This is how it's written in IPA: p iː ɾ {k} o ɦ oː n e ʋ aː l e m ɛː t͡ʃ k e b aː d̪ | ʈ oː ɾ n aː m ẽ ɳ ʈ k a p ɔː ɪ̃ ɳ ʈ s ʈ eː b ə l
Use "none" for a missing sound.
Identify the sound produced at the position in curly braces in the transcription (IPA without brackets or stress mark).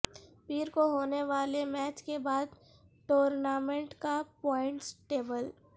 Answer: k